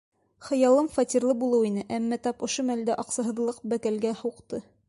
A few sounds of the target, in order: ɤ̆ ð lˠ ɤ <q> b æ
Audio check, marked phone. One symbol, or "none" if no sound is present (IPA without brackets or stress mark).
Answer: q